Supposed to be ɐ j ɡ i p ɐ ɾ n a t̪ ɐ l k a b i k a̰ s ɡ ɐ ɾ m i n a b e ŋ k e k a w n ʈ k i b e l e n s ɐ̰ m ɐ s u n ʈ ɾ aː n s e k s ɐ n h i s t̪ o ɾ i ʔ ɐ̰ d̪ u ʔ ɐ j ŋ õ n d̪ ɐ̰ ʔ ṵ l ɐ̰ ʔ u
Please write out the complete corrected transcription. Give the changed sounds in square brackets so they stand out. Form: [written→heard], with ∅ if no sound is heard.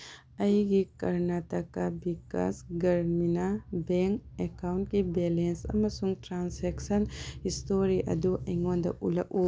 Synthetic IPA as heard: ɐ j ɡ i [p→k] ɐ ɾ n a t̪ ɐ [l→∅] k a b i k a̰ s ɡ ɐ ɾ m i n a b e ŋ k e k a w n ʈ k i b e l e n s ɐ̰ m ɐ s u [n→ŋ] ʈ ɾ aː n s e k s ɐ n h i s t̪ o ɾ i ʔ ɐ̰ d̪ u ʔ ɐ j ŋ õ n d̪ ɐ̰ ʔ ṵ l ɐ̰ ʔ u